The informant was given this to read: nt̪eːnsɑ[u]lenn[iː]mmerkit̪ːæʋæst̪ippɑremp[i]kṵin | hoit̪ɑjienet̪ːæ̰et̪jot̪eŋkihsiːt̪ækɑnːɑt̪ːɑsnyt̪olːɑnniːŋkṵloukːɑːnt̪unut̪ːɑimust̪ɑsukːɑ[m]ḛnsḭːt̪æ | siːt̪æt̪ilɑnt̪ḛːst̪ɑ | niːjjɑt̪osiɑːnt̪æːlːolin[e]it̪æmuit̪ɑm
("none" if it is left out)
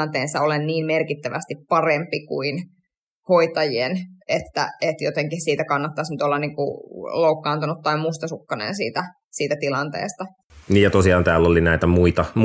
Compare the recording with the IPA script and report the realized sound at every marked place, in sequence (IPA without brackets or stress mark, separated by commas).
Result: o, iː, i, n, æ